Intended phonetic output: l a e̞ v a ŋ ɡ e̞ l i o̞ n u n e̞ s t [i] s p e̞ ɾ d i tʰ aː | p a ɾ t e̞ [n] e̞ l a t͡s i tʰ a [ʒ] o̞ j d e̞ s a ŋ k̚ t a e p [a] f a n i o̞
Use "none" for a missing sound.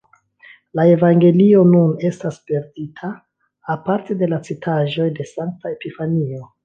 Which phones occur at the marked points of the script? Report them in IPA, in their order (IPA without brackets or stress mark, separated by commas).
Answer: a, d, ʒ, i